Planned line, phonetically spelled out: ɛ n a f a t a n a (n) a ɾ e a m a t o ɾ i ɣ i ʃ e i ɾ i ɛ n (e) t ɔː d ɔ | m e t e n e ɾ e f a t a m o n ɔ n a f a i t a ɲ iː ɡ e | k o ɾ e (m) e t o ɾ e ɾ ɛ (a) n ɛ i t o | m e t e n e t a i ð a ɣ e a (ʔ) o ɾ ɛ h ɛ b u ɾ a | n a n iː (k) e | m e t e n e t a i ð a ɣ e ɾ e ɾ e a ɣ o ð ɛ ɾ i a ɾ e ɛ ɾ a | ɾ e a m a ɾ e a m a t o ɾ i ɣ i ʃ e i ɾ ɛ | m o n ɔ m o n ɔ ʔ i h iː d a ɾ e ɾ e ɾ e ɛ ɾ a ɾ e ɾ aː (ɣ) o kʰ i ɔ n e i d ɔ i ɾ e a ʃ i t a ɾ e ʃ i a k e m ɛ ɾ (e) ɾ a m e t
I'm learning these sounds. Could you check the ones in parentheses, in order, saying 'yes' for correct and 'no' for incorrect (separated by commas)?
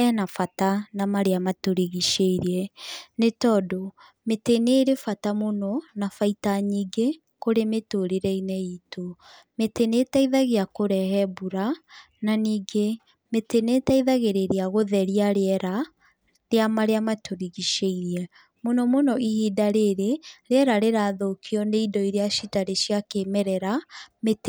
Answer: no, yes, yes, no, no, no, no, no